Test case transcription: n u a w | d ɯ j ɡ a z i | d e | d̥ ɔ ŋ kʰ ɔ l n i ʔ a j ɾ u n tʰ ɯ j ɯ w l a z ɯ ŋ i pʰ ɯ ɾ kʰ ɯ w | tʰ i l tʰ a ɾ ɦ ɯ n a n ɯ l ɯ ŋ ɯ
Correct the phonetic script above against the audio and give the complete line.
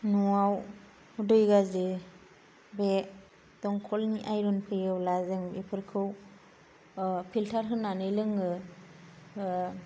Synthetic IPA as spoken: n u a w | d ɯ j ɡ a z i | b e | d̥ ɔ ŋ kʰ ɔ l n i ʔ a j ɾ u n pʰ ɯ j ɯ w l a z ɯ ŋ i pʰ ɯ ɾ kʰ ɯ w | pʰ i l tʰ a ɾ ɦ ɯ n a n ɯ l ɯ ŋ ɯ

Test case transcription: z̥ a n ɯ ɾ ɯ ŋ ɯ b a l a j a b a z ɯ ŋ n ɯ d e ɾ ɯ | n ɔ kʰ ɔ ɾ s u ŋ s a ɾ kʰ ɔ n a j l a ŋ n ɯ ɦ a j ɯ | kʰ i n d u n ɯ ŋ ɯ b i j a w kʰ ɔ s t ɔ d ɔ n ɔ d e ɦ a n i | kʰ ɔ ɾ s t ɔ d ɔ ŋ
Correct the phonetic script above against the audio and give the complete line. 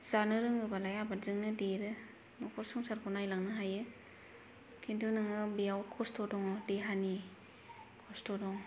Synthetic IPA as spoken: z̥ a n ɯ ɾ ɯ ŋ ɯ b a l a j a b a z ɯ ŋ n ɯ d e ɾ ɯ | n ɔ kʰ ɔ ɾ s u ŋ s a ɾ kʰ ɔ n a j l a ŋ n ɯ ɦ a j ɯ | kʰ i n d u n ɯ ŋ ɯ b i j a w kʰ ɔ s t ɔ d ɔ ŋ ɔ d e ɦ a n i | kʰ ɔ s t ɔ d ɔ ŋ

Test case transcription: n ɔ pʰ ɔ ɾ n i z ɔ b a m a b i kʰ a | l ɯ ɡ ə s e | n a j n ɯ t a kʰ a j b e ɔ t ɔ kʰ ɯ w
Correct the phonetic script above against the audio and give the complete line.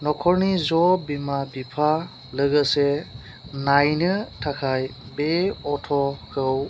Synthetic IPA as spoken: n ɔ kʰ ɔ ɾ n i z ɔ b i m a b i pʰ a | l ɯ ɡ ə s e | n a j n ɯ tʰ a kʰ a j b e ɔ tʰ ɔ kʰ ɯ w

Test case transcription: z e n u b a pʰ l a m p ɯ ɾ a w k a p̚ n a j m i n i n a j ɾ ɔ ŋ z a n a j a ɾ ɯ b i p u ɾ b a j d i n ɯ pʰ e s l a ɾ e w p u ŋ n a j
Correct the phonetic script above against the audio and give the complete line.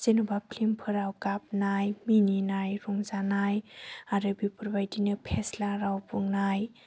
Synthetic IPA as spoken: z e n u b a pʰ l i m pʰ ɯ ɾ a w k a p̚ n a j m i n i n a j ɾ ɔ ŋ z a n a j a ɾ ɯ b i p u ɾ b a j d i n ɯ pʰ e s l a ɾ a w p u ŋ n a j

